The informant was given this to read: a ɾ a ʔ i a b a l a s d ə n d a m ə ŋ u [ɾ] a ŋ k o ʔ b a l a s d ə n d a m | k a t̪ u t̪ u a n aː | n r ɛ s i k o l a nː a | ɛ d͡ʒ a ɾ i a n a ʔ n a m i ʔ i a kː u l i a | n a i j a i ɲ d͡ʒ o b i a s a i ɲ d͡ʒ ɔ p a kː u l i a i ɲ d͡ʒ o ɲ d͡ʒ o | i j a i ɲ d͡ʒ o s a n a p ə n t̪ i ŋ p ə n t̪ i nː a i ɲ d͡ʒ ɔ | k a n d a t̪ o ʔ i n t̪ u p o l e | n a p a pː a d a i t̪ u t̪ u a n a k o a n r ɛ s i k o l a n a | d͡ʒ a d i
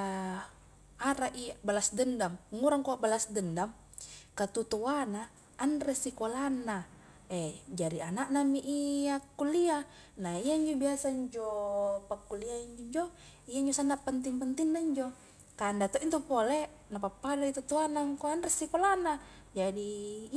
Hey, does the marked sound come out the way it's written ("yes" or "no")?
yes